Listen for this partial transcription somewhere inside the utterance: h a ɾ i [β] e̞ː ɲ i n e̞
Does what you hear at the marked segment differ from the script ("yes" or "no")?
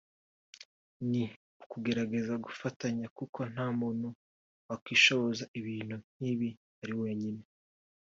yes